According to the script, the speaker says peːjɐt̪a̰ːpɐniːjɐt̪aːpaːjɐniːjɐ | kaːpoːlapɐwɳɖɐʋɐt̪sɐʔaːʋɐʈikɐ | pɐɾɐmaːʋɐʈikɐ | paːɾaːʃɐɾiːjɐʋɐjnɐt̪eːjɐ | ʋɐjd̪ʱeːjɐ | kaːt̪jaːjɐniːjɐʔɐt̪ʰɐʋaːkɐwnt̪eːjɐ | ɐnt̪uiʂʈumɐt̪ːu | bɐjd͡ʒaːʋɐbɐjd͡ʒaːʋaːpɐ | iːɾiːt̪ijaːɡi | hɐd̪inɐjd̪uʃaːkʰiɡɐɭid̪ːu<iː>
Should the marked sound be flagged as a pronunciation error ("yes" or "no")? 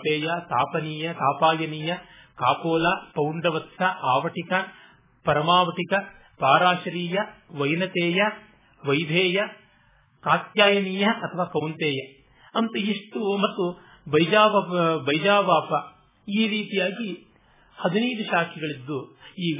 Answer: no